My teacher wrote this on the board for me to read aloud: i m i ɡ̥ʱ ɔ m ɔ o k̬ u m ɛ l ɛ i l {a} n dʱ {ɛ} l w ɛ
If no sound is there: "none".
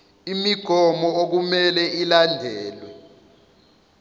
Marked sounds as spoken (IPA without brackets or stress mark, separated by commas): a, ɛː